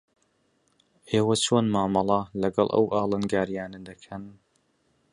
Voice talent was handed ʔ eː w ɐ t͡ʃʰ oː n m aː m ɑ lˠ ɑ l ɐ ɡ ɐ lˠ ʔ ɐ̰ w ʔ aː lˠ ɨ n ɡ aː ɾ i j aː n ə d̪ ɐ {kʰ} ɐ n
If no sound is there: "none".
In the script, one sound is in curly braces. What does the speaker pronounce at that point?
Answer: kʰ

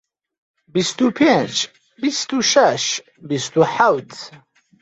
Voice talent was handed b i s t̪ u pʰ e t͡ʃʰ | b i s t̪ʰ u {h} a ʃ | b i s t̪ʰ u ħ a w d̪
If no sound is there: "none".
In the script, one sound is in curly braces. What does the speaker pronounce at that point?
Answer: ʃ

